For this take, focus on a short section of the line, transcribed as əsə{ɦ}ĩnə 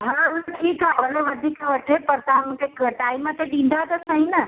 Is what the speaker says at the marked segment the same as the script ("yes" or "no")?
yes